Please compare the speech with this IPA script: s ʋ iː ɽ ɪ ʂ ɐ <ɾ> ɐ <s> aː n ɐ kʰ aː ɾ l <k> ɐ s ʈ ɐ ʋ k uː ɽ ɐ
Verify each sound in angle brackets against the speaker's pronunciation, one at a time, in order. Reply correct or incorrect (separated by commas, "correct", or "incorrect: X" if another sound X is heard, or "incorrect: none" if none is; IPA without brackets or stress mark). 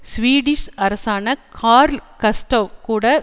correct, correct, correct